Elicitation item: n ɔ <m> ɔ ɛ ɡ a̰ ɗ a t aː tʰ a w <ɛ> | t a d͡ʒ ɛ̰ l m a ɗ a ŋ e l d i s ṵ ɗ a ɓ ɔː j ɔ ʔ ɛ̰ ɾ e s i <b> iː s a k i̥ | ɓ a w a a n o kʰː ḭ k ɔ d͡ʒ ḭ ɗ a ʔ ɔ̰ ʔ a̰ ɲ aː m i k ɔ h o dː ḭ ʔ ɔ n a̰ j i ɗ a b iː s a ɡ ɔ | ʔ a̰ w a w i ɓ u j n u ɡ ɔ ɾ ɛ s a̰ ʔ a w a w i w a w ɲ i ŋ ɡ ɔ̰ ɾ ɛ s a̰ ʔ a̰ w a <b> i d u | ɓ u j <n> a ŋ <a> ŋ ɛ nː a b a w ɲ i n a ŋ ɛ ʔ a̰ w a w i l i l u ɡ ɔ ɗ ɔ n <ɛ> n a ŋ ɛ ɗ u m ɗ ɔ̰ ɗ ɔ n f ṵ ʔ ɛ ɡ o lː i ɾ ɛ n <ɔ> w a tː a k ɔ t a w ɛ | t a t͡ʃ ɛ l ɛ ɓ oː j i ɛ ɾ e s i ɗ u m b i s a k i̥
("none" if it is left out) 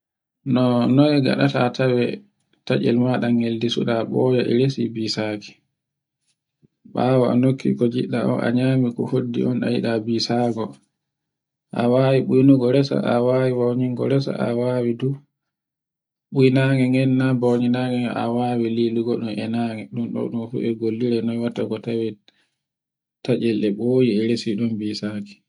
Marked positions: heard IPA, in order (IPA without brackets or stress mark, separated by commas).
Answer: n, ɛ, b, w, n, ɛ, ɛ, ɔ